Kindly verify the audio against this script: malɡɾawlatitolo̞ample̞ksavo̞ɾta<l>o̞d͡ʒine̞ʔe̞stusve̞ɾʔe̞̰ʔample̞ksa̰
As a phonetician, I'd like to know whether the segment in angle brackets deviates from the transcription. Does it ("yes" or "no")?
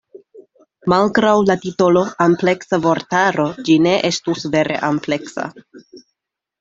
yes